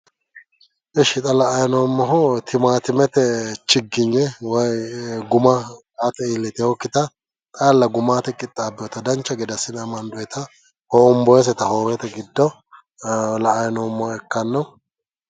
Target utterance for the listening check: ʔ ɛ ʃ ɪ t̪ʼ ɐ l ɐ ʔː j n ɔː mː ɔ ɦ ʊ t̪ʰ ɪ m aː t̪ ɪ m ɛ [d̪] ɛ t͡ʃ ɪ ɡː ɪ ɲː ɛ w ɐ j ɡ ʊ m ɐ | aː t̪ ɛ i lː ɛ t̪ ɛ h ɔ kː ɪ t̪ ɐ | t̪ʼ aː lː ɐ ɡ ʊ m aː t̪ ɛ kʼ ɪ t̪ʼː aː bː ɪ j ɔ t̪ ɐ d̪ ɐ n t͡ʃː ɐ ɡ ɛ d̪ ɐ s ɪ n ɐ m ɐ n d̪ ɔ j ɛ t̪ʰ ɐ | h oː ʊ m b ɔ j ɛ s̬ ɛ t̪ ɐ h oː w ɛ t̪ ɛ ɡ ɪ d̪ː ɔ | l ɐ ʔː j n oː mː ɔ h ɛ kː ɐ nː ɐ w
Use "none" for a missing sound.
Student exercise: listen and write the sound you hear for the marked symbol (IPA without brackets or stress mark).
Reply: t̪